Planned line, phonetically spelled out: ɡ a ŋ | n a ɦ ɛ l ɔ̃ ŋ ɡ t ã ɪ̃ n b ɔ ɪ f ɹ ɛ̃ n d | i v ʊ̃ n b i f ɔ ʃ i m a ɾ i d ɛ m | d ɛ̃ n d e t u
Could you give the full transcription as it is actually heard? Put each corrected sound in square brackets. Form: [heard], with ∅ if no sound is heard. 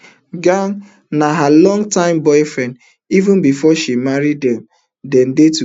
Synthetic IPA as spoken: ɡ a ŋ | n a ɦ [a] l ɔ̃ ŋ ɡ t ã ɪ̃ [m] b ɔ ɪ f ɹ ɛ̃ n d | i v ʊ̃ n b i f ɔ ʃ i m a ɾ i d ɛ m | d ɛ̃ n d e t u